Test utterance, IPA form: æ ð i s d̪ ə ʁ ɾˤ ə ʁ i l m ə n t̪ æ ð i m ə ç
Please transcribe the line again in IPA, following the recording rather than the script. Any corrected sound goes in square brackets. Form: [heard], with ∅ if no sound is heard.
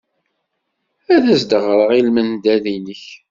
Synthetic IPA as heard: æ ð [æ] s d̪ ə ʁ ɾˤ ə ʁ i l m ə n [d̪] æ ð i [n] ə ç